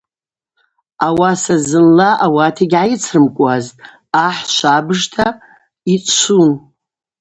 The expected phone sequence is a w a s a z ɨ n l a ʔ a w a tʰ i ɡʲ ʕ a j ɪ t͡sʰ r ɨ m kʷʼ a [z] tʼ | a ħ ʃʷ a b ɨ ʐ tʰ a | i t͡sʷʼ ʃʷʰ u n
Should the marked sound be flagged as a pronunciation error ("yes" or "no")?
no